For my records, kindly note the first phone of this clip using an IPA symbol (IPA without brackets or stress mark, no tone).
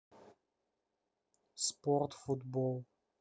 s